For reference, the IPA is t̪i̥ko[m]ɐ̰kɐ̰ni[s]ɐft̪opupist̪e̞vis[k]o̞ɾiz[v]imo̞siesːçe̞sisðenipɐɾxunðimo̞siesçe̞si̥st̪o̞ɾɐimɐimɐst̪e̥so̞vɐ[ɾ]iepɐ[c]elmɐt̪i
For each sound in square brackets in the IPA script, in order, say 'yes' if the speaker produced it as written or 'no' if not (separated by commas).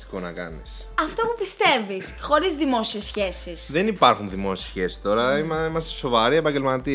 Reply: no, yes, no, no, yes, no